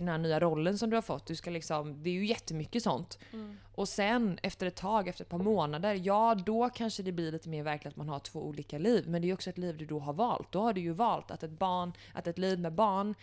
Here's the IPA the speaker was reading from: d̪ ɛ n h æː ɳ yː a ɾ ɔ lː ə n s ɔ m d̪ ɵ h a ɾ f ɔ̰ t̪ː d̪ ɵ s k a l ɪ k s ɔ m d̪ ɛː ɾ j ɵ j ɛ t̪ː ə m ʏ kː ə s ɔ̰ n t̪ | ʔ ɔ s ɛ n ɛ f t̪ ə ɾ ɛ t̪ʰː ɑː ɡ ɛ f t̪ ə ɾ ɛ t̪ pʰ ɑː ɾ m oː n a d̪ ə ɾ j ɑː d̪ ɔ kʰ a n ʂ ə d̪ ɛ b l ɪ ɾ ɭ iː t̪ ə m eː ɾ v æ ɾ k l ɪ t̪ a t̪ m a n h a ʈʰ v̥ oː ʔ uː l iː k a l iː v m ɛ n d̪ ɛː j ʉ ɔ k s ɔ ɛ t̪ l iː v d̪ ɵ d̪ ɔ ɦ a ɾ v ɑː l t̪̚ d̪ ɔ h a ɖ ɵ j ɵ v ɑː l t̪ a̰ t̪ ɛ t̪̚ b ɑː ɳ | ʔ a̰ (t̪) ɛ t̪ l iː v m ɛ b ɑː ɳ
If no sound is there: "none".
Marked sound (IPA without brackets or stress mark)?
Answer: t̪